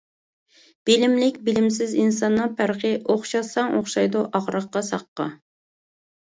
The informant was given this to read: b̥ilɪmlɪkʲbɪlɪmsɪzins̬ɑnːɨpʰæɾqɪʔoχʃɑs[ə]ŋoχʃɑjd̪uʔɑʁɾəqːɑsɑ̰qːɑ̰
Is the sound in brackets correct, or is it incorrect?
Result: incorrect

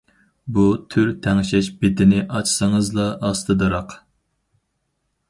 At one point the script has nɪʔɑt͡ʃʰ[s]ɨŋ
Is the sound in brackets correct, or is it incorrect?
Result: correct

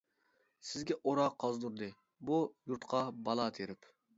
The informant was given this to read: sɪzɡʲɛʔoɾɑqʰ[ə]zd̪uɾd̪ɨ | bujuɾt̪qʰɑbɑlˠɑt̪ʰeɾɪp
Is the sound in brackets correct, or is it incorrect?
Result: incorrect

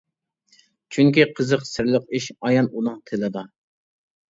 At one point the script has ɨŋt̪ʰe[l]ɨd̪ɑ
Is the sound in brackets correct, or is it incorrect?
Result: correct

